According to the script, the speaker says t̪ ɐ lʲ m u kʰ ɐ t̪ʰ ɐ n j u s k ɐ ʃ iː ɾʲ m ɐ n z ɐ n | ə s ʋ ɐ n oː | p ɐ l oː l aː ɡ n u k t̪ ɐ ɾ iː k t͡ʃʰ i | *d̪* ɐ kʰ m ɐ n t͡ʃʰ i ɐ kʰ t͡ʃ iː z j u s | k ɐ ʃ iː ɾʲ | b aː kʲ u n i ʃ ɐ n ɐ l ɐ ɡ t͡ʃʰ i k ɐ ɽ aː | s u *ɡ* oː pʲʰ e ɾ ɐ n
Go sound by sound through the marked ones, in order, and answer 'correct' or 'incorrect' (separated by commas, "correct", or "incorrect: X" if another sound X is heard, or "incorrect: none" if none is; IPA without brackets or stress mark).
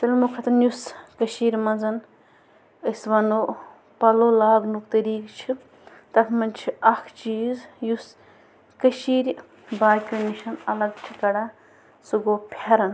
incorrect: t̪, correct